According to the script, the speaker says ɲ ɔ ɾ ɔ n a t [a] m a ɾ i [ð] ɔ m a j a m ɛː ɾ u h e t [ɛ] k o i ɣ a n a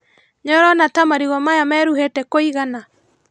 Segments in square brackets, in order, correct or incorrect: correct, incorrect, correct

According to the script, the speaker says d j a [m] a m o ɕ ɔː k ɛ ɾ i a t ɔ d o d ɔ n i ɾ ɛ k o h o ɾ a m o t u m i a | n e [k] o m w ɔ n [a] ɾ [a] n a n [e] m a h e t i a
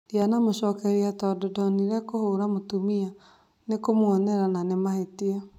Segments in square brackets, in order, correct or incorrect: incorrect, correct, incorrect, correct, correct

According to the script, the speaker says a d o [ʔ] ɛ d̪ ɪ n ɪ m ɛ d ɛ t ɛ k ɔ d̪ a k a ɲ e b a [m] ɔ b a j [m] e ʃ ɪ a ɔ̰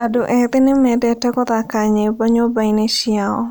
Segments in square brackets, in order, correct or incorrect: correct, incorrect, incorrect

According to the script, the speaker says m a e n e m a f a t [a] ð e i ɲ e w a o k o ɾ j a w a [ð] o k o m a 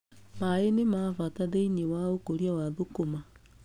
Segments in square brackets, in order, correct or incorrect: correct, correct

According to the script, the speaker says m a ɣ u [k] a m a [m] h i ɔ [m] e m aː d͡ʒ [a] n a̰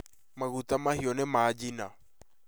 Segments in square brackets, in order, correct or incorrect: incorrect, incorrect, incorrect, incorrect

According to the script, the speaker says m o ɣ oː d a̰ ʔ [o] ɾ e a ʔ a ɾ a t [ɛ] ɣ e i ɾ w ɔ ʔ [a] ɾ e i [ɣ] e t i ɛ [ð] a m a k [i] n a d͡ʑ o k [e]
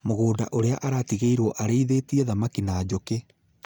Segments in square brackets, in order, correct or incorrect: correct, incorrect, correct, incorrect, correct, correct, correct

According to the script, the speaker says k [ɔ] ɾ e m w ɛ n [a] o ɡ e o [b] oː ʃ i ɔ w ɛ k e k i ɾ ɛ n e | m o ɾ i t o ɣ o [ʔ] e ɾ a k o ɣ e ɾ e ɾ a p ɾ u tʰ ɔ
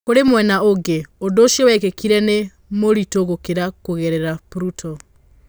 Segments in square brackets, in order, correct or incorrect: incorrect, correct, incorrect, incorrect

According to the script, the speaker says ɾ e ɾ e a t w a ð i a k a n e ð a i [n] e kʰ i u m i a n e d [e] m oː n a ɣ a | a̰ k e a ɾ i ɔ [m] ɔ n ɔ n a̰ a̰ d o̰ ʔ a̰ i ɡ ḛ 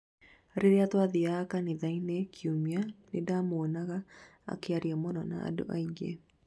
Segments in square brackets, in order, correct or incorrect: correct, incorrect, correct

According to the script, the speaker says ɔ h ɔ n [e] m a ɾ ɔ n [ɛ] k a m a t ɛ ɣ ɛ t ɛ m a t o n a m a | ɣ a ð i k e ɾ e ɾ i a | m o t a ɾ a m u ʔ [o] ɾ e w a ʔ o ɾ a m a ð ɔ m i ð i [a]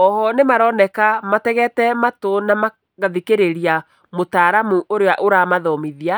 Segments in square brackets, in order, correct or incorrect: correct, correct, correct, correct

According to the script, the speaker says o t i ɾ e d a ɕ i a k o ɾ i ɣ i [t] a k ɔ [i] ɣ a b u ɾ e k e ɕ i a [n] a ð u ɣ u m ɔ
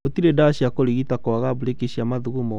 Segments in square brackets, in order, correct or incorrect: correct, incorrect, incorrect

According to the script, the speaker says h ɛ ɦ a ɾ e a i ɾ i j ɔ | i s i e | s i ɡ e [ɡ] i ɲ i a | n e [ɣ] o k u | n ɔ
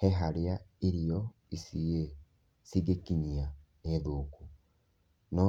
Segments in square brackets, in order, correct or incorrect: incorrect, incorrect

